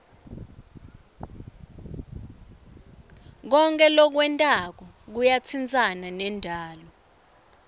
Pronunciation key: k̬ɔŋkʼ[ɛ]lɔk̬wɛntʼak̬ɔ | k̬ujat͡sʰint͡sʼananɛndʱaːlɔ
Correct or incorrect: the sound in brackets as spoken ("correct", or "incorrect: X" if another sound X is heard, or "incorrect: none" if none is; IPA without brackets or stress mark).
correct